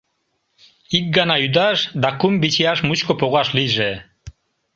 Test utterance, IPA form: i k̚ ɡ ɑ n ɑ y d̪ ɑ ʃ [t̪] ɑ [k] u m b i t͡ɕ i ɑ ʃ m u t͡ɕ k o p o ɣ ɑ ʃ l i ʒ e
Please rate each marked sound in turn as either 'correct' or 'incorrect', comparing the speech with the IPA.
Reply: incorrect: d̪, correct

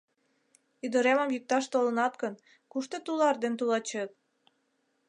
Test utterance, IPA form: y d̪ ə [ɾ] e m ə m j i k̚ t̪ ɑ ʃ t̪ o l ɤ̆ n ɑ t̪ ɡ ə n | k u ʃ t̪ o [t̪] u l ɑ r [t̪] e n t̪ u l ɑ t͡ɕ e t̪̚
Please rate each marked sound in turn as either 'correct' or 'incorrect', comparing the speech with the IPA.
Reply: correct, correct, incorrect: d̪

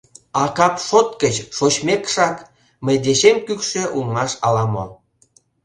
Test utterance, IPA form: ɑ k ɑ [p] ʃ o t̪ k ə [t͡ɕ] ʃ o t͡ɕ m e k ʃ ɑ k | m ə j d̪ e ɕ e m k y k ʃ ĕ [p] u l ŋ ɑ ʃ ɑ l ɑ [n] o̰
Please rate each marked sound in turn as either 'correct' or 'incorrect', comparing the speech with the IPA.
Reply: correct, correct, incorrect: ʔ, incorrect: m

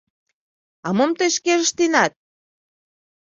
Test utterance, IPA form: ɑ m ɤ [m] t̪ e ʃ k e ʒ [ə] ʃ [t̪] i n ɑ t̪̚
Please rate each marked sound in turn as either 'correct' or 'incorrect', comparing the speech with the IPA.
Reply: correct, correct, correct

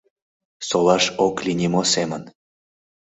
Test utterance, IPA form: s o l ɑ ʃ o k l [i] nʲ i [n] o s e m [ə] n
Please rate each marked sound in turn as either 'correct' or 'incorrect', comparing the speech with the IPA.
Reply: correct, incorrect: m, correct

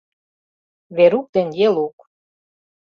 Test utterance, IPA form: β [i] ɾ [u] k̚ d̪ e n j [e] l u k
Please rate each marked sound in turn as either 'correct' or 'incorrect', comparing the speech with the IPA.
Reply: incorrect: e, correct, correct

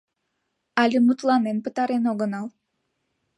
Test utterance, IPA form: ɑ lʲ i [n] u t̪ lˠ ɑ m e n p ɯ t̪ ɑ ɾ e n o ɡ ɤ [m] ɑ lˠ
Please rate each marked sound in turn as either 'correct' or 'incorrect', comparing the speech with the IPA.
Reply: incorrect: m, incorrect: n

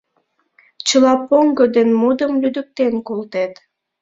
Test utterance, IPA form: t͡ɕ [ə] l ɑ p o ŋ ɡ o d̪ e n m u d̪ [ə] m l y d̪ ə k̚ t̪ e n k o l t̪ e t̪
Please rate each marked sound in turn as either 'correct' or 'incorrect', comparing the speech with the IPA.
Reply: correct, correct

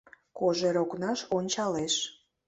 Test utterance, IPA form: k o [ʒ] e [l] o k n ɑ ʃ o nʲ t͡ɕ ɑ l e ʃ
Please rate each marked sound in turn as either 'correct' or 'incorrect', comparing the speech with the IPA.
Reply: correct, incorrect: ɾ

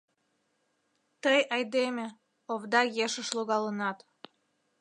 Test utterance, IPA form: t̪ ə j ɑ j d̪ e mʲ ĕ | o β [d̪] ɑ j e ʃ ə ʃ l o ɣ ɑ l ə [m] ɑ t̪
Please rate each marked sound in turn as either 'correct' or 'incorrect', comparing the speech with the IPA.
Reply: correct, incorrect: n

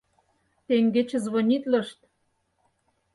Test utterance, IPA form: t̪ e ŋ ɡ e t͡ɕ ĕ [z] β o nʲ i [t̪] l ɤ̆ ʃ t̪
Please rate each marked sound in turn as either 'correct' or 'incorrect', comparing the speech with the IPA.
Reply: correct, correct

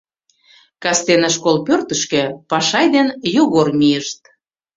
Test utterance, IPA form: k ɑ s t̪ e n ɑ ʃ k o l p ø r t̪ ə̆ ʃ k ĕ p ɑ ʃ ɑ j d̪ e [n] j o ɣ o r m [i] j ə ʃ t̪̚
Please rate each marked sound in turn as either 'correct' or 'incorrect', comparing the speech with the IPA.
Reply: correct, correct

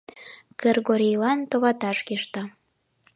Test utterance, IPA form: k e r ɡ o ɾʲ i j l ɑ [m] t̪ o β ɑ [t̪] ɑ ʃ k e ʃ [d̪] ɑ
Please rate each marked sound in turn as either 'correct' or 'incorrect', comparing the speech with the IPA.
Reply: incorrect: n, correct, incorrect: t̪

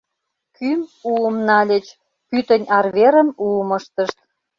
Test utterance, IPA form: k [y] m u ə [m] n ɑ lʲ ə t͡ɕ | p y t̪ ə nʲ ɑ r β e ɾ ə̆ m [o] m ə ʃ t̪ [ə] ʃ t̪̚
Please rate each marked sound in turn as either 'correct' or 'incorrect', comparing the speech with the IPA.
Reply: correct, correct, incorrect: u, correct

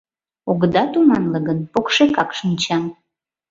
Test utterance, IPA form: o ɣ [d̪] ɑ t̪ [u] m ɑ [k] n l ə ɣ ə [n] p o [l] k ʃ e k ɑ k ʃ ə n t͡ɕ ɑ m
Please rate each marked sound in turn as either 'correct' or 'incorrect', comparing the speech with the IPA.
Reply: correct, correct, incorrect: none, correct, incorrect: none

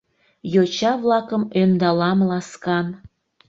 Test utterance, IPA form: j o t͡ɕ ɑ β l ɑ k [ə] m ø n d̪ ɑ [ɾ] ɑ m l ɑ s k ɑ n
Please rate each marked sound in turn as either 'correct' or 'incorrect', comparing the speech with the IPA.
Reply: correct, incorrect: l

